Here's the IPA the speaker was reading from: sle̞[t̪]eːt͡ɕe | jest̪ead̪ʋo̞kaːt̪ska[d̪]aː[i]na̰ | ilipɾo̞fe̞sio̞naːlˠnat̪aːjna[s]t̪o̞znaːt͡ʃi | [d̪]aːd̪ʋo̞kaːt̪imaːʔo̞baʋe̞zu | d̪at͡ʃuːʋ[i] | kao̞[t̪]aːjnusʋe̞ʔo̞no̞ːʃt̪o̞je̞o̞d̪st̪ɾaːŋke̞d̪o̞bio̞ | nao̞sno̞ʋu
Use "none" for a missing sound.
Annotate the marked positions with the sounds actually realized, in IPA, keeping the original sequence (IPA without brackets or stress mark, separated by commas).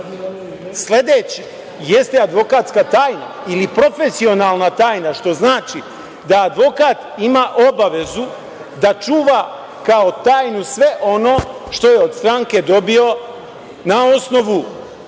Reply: d̪, t̪, j, ʃ, d̪, a, t̪